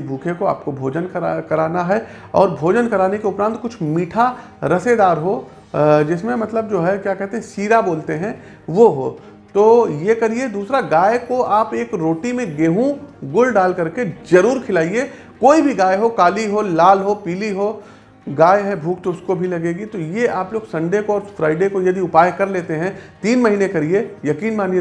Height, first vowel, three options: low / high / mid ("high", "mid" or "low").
high